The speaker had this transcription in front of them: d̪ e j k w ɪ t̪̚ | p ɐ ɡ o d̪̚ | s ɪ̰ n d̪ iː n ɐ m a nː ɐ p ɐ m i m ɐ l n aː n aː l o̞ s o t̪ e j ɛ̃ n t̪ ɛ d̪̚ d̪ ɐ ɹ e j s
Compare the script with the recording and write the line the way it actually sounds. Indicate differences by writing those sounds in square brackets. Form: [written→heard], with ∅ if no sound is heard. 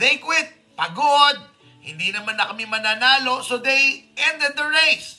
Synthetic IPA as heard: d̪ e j k w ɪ t̪̚ | p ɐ ɡ o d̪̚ | [s→h] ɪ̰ n d̪ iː n ɐ m a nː ɐ [p→k] ɐ m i m ɐ [l→∅] n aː n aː l o̞ s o [t̪→d̪] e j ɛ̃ n [t̪→d̪] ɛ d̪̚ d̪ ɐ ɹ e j s